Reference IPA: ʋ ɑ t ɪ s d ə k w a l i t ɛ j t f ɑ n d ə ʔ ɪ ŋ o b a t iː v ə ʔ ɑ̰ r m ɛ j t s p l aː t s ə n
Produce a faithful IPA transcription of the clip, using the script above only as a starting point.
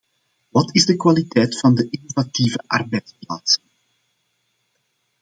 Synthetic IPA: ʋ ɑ t ɪ z d ə k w a l i t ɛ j t f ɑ n d ə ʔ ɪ n o v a t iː v ə ʔ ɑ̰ r b ɛ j t s p l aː t s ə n